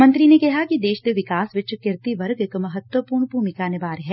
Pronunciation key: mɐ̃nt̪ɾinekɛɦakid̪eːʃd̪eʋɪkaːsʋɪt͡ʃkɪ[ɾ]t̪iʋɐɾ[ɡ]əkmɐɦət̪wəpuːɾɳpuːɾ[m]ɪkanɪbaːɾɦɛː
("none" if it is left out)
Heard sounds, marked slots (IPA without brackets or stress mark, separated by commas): ɾ, ɡ, m